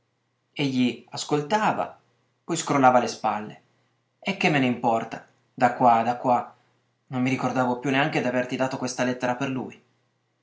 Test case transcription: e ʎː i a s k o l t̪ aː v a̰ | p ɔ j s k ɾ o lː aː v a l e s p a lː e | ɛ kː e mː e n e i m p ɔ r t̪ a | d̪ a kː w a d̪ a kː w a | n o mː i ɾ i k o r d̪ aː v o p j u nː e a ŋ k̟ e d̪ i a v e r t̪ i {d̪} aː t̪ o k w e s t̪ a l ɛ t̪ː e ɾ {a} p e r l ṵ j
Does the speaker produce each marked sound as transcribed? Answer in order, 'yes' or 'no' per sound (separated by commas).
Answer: yes, yes